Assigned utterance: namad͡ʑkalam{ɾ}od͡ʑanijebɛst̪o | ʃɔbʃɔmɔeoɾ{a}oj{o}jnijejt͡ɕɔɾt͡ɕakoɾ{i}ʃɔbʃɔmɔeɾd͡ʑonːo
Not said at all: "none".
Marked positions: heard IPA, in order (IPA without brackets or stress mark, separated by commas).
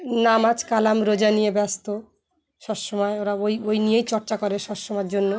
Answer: ɾ, a, o, e